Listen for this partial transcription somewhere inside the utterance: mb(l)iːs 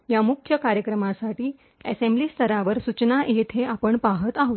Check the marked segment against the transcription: correct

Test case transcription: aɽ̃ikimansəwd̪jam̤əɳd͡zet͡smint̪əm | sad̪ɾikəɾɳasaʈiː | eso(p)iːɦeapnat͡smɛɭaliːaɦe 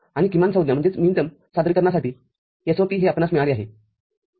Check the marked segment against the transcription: correct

